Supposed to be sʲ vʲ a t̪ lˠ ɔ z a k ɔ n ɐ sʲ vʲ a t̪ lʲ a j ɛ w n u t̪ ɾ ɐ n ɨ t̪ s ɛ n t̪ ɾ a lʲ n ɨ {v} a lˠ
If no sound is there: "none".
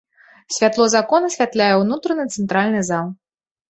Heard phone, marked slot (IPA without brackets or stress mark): z